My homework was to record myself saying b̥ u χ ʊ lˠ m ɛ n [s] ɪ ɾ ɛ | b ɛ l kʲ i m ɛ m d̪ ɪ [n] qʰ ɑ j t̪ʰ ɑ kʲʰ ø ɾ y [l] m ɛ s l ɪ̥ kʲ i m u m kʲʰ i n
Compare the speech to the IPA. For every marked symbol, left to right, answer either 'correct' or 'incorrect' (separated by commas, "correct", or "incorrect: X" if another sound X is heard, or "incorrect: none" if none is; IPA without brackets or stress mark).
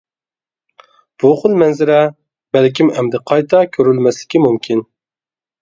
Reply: incorrect: z, incorrect: none, correct